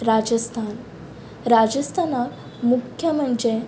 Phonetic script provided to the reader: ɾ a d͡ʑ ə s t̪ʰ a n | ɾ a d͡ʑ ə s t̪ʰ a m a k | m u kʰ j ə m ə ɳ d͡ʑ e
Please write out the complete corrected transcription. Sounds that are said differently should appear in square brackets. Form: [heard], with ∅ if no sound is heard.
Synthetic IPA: ɾ a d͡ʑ ə s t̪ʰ a n | ɾ a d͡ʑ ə s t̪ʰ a [n] a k | m u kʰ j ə m ə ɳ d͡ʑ e